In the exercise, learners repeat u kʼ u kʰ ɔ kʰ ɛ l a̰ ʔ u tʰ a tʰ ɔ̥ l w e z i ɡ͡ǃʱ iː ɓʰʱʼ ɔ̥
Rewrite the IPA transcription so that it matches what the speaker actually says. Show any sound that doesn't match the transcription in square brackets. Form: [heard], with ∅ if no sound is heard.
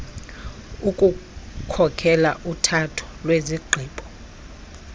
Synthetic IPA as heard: u kʼ u kʰ ɔ kʰ ɛ l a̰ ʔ u tʰ a tʰ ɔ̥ l w e z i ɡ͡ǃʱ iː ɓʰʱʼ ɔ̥